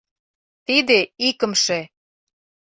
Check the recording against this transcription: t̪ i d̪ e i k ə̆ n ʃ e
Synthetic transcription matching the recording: t̪ i d̪ e i k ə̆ m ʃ e